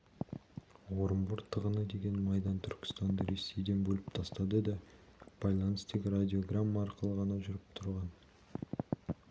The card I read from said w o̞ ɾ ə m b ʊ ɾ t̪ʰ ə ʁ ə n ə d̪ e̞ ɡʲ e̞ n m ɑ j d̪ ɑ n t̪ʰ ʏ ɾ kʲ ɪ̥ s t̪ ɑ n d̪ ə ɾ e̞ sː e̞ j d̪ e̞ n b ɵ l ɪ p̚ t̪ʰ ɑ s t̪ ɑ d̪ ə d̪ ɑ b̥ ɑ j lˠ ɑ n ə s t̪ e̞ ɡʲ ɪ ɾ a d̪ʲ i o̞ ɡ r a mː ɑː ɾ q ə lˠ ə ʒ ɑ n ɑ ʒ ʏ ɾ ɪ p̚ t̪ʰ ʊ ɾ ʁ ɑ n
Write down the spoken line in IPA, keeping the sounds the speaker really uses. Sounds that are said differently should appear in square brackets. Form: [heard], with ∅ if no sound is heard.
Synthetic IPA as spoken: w o̞ ɾ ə m b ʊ ɾ t̪ʰ ə ʁ ə n ə d̪ e̞ ɡʲ e̞ n m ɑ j d̪ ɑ n t̪ʰ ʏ ɾ kʲ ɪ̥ s t̪ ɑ n d̪ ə ɾ e̞ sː e̞ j d̪ e̞ n b ɵ l ɪ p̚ t̪ʰ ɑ s t̪ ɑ d̪ ə d̪ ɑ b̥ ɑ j lˠ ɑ n ə s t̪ e̞ ɡʲ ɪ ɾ a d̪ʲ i o̞ ɡ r a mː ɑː ɾ q ə lˠ ə [ʁ] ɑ n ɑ ʒ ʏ ɾ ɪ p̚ t̪ʰ ʊ ɾ ʁ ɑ n